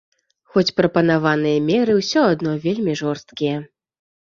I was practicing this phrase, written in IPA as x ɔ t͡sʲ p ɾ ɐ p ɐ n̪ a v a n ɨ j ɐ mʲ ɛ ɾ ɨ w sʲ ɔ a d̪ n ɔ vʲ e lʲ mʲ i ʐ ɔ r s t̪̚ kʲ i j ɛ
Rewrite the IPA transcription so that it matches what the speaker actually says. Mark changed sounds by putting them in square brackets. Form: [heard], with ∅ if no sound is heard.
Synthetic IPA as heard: x ɔ t͡sʲ p ɾ ɐ p ɐ n̪ a v a n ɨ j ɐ mʲ ɛ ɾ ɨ w sʲ ɔ a d̪ n ɔ vʲ e lʲ mʲ i ʐ ɔ r s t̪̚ kʲ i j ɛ